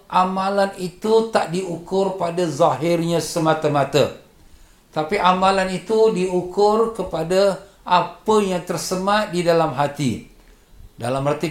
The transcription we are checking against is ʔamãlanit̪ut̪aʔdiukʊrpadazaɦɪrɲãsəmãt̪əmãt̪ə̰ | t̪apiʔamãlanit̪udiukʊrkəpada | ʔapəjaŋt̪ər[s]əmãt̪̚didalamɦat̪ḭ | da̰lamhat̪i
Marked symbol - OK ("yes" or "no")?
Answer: yes